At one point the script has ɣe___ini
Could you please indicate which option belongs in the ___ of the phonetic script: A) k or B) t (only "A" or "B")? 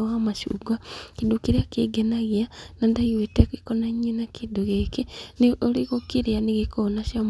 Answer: A